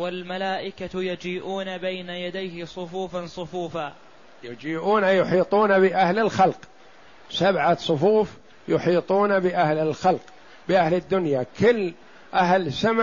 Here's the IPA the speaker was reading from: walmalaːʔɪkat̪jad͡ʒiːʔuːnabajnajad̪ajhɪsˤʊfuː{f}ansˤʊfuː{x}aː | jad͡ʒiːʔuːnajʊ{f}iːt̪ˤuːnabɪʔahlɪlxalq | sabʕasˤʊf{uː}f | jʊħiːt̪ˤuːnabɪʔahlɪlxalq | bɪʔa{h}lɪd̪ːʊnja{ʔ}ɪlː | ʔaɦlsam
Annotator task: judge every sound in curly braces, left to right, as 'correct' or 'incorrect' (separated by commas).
correct, incorrect, incorrect, correct, correct, incorrect